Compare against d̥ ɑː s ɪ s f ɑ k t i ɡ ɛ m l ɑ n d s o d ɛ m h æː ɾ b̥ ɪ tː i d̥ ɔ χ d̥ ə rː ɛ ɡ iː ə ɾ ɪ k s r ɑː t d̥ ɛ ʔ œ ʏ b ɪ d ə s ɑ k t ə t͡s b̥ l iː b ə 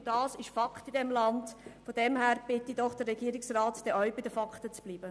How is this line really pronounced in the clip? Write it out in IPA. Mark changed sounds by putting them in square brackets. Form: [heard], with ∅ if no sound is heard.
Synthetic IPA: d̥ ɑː s ɪ [ʃ] f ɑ k t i [d] ɛ m l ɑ n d [f] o d ɛ m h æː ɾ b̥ ɪ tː i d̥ ɔ χ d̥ ə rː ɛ ɡ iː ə ɾ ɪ k s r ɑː t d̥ ɛ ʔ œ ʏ b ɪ d ə [f] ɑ k t ə t͡s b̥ l iː b ə